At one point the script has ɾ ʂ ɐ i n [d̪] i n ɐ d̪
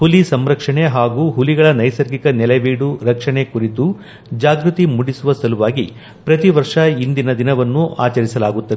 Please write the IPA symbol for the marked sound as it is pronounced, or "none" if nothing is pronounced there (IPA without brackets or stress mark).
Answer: d̪